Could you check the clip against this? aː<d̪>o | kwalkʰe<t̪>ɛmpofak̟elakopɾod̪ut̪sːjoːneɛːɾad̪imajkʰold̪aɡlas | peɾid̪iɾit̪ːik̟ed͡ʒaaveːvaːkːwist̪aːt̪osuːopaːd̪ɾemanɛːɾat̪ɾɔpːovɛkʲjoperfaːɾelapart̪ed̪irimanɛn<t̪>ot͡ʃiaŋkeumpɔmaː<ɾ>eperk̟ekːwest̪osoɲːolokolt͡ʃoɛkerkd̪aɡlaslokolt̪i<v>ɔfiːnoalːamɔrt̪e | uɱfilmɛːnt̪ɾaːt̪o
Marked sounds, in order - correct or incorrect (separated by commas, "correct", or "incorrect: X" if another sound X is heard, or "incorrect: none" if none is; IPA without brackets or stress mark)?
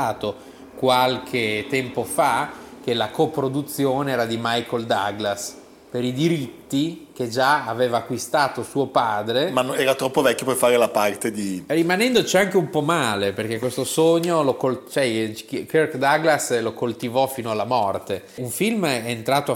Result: incorrect: t̪, correct, incorrect: d̪, incorrect: l, correct